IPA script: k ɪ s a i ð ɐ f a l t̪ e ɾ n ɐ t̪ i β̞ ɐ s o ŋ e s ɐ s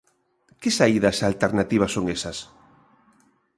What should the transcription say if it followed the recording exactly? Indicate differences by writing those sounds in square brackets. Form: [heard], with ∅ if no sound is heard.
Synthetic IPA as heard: k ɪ s a i ð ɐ [s] a l t̪ e ɾ n [a] t̪ i β̞ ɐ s o ŋ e s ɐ s